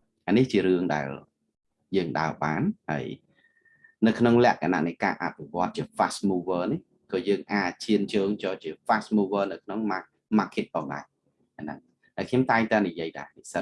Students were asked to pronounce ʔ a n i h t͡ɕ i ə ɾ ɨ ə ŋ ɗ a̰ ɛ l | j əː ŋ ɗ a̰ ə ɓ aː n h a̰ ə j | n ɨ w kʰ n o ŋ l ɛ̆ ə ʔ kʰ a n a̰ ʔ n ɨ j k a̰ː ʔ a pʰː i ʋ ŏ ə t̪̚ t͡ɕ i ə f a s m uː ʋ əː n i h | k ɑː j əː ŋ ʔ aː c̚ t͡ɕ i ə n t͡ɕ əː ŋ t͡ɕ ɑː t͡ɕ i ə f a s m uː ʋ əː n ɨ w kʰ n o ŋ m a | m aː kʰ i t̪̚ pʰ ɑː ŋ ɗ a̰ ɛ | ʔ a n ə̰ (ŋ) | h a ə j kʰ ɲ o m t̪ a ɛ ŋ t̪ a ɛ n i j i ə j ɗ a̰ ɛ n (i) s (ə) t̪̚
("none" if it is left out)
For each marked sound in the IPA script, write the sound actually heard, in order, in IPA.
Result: ŋ, i, ə

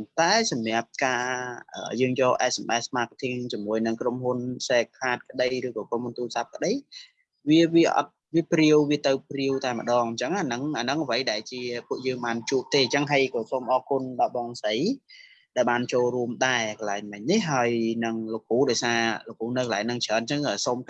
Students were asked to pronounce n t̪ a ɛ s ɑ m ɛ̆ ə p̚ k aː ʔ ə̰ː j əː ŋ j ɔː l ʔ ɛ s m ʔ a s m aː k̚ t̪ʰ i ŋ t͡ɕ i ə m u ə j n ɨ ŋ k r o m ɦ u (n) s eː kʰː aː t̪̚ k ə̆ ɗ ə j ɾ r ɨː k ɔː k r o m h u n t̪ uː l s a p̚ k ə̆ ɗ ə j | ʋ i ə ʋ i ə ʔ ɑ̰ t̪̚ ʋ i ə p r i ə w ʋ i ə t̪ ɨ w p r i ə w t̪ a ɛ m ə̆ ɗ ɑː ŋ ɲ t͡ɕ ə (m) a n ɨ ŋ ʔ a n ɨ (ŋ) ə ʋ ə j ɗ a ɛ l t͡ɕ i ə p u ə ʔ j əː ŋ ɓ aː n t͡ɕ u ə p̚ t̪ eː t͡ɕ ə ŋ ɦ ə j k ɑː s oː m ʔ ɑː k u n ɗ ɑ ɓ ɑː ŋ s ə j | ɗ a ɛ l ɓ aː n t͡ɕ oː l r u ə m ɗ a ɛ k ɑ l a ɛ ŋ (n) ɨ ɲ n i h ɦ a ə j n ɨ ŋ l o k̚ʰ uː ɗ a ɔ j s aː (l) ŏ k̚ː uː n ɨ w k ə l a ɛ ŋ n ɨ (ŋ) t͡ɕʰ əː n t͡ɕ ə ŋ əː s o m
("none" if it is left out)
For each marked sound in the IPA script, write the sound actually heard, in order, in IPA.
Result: n, ŋ, ŋ, m, l, ŋ

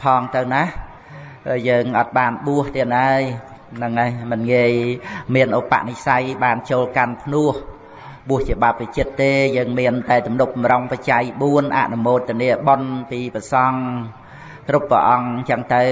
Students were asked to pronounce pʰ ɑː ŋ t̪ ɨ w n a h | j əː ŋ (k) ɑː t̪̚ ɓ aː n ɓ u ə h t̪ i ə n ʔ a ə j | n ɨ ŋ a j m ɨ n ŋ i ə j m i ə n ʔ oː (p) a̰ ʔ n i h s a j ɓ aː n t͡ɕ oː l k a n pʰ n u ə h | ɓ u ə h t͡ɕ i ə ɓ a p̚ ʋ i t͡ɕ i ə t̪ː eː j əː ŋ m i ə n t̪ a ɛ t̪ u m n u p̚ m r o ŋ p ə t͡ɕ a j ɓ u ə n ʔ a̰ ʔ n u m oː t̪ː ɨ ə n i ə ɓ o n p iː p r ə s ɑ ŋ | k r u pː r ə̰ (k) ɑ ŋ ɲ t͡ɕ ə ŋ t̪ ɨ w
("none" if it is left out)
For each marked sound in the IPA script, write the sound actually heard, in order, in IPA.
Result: ʔ, p, ʔ

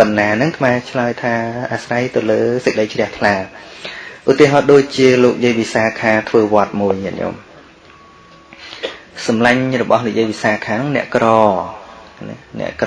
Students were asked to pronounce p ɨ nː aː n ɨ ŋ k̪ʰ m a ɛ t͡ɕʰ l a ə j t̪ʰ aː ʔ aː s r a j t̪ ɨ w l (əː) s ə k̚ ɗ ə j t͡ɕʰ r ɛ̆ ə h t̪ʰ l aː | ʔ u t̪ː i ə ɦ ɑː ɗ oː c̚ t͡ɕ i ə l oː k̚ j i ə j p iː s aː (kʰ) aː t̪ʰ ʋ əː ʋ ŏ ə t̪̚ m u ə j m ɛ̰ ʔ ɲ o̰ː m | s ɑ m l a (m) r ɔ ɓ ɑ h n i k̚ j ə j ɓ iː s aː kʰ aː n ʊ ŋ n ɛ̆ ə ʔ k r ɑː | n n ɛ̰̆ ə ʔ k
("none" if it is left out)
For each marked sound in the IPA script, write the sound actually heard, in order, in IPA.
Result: əː, kʰ, ɲ

